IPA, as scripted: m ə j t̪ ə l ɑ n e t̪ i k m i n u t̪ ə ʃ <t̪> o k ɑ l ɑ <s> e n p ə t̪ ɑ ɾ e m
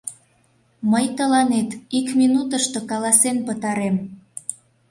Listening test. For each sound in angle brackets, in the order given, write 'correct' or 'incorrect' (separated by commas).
correct, correct